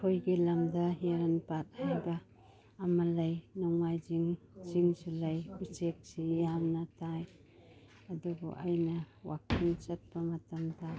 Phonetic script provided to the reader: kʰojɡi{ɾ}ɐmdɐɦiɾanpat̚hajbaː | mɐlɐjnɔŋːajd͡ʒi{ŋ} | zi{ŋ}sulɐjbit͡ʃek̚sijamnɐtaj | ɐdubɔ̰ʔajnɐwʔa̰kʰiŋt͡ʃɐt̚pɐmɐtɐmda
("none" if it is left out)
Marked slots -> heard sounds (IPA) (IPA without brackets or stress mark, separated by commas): l, ŋ, ŋ